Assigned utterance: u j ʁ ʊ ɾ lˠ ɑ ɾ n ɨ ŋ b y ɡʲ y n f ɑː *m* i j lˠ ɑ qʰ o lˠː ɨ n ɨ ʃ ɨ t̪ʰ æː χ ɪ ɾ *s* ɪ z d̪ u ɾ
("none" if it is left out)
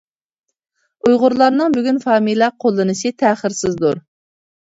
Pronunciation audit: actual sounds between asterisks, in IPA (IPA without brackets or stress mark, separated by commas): m, s